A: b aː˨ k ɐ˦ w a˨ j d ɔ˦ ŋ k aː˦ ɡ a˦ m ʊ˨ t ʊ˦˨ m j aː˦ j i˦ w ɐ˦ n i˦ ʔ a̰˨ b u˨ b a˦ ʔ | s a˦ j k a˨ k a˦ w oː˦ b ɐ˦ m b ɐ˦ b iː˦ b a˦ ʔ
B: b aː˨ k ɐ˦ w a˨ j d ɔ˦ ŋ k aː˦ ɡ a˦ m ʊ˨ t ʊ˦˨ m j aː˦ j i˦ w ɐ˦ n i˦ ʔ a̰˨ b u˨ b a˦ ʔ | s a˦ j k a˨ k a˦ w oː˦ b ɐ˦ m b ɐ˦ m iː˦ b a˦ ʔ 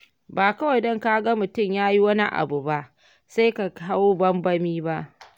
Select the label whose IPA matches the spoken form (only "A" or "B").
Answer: B